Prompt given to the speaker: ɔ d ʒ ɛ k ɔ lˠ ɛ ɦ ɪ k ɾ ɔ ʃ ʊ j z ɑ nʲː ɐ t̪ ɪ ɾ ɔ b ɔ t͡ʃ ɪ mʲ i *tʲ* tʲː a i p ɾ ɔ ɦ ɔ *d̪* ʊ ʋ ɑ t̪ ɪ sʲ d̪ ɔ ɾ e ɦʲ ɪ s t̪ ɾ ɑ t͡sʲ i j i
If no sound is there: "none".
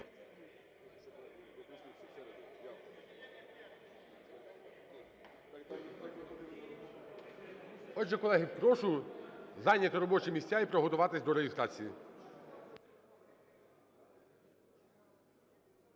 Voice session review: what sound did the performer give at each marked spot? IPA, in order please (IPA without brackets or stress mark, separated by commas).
sʲ, t̪